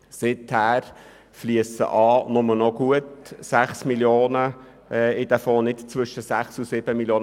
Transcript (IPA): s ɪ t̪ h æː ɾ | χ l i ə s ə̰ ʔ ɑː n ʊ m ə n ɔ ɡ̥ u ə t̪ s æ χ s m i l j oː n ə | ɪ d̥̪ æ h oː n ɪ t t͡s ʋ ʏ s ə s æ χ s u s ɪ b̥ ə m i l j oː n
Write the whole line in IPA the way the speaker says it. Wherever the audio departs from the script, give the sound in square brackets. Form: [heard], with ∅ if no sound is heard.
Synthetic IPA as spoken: s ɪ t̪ h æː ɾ | [f] l i ə s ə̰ ʔ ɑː n ʊ m ə n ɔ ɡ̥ u ə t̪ s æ χ s m i l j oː n ə | ɪ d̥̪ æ [f] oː n ɪ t t͡s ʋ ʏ [ʃ] ə s æ χ s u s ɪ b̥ ə m i l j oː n